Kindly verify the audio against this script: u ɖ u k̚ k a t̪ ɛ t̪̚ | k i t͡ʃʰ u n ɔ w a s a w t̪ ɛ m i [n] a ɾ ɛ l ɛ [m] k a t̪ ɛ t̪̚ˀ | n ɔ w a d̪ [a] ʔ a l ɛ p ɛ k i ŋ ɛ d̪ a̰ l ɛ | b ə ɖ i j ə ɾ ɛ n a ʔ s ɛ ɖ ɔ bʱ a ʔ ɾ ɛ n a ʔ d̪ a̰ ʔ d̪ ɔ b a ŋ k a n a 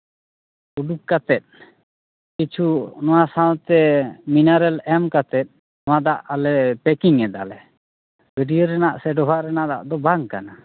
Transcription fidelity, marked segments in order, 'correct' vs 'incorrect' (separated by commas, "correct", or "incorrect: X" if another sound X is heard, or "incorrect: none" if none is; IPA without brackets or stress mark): correct, correct, correct